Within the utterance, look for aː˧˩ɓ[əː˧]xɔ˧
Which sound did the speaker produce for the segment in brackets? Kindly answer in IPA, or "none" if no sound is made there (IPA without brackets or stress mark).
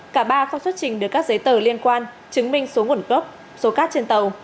aː˧